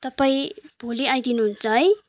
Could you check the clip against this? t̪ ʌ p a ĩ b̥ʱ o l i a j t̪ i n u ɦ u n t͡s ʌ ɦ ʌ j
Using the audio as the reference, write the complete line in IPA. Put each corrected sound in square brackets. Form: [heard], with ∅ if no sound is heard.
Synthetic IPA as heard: t̪ ʌ p a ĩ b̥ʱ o l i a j [d̪] i n u ɦ u n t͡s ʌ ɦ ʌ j